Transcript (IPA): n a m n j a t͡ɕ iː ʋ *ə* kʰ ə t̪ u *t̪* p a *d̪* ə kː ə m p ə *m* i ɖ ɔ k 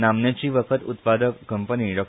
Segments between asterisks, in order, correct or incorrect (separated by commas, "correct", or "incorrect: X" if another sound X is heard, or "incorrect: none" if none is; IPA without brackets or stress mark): correct, correct, correct, incorrect: n